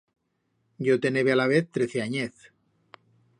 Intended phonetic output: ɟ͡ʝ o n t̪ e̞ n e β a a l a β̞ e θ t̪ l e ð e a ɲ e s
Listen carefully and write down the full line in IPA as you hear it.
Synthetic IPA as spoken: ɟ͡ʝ o t̪ e̞ n e β e a l a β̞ e θ t̪ ɾ e θ e a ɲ e θ